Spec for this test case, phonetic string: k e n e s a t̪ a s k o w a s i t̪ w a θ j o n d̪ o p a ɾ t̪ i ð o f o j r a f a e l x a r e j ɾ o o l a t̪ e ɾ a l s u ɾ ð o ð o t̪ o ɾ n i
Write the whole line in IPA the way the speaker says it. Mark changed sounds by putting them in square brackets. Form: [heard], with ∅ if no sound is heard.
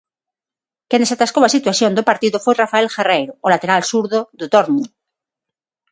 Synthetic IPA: k e n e s a t̪ a s k o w a s i t̪ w a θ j o n d̪ o p a ɾ t̪ i ð o f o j r a f a e l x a r e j ɾ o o l a t̪ e ɾ a l s u ɾ ð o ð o t̪ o ɾ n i